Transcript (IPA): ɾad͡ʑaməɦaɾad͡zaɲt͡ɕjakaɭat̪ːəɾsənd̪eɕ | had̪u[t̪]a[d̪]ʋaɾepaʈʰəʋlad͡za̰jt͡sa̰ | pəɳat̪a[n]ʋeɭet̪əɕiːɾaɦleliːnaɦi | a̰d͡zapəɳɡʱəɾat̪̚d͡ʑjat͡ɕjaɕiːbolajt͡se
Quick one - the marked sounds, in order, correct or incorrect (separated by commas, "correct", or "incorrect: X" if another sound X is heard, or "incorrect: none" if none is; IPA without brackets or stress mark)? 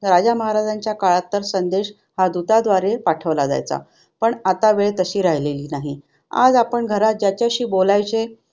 correct, correct, incorrect: none